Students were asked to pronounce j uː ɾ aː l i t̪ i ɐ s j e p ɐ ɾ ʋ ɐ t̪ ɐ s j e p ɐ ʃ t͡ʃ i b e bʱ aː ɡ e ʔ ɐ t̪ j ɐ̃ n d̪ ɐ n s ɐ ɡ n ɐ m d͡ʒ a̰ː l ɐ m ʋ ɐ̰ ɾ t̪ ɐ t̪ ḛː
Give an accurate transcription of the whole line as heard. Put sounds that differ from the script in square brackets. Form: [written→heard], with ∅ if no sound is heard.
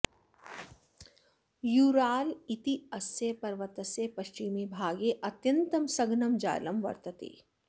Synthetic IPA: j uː ɾ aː l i t̪ i ɐ s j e p ɐ ɾ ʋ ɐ t̪ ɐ s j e p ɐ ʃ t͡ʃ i [b→m] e bʱ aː ɡ e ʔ ɐ t̪ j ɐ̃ n [d̪→t̪] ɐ [n→m] s ɐ ɡ n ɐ m d͡ʒ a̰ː l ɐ m ʋ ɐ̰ ɾ t̪ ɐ t̪ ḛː